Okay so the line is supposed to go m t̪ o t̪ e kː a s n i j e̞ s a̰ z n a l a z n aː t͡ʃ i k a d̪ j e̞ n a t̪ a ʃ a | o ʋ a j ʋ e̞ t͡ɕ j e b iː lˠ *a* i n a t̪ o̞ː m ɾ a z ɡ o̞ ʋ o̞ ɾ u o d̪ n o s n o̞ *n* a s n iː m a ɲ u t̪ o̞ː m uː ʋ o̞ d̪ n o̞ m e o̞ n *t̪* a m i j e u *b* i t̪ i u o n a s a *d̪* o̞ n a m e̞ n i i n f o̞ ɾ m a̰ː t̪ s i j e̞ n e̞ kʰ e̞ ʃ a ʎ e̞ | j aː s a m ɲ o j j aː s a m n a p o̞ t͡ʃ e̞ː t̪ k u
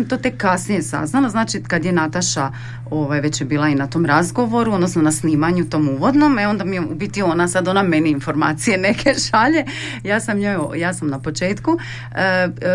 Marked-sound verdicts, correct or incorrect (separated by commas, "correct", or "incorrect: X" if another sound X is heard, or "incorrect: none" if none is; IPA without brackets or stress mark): correct, correct, incorrect: d̪, correct, correct